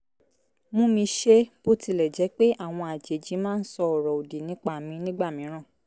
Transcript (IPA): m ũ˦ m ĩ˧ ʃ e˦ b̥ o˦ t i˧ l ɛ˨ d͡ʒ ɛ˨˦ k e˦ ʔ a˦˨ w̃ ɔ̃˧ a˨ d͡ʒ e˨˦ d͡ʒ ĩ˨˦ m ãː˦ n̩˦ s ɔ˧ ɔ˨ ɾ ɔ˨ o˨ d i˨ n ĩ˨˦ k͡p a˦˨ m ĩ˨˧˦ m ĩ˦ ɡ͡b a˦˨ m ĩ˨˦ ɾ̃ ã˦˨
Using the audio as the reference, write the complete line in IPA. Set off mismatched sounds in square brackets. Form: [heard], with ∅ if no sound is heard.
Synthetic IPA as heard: m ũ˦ m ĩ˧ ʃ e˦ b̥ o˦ t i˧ l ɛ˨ d͡ʒ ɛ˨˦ [k͡p] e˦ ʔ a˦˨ w̃ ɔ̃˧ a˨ d͡ʒ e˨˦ d͡ʒ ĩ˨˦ m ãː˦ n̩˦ s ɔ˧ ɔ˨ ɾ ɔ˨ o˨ d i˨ n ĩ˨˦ k͡p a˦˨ m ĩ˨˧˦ [n] ĩ˦ ɡ͡b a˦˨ m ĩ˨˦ ɾ̃ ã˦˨

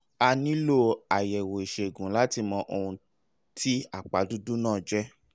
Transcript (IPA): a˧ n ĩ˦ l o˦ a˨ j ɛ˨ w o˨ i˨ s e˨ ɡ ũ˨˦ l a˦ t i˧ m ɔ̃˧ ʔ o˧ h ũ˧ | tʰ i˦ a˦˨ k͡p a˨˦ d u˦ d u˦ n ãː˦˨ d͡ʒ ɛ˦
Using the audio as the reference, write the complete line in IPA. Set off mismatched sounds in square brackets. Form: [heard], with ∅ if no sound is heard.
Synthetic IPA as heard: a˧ n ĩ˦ l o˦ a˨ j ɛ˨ w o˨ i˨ [ʃ] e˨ ɡ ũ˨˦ l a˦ t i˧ m ɔ̃˧ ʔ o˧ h ũ˧ | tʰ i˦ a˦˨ k͡p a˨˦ d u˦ d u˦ n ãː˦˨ d͡ʒ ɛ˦

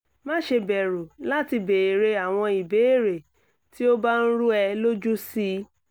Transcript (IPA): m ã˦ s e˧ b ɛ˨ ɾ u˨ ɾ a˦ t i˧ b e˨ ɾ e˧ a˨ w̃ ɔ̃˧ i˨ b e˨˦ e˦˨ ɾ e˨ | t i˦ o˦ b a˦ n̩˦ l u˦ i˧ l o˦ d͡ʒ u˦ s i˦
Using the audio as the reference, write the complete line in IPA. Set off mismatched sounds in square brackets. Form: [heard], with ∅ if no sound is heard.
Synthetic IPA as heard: m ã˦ [ʃ] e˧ b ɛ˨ ɾ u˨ [l] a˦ t i˧ b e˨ ɾ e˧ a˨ w̃ ɔ̃˧ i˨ b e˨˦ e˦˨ ɾ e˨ | t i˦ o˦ b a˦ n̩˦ [ɾ] u˦ [ɛ˧] l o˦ d͡ʒ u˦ s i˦

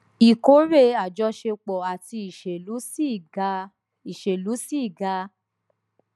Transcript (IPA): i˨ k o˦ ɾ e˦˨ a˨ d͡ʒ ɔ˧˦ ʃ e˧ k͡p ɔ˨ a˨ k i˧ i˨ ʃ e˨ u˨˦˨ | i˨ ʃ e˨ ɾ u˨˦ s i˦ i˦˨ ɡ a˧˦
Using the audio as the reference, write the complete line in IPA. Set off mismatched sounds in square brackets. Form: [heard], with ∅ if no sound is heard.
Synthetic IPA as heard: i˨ k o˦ ɾ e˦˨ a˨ d͡ʒ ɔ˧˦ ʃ e˧ k͡p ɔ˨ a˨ [t] i˧ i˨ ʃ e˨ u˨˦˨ | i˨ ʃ e˨ [l] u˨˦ s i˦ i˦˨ ɡ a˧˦

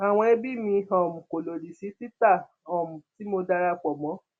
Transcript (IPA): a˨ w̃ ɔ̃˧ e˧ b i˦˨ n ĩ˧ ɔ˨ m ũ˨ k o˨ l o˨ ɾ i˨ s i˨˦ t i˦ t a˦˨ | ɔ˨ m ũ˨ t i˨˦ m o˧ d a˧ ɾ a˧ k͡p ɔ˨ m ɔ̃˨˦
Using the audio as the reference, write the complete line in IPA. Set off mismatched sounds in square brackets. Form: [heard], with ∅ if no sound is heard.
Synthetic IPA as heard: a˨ w̃ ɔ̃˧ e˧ b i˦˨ [m] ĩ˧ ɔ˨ m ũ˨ k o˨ l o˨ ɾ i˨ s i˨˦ t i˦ t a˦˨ | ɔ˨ m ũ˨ t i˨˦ m o˧ d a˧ ɾ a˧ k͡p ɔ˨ m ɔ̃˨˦

